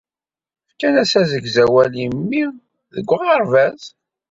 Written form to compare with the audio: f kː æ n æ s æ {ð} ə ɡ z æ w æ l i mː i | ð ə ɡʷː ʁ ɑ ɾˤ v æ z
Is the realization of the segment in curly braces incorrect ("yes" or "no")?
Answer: yes